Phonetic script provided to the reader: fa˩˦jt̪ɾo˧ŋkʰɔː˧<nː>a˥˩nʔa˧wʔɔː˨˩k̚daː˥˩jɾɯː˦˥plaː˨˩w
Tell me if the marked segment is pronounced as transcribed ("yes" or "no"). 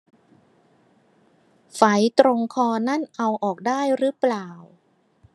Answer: no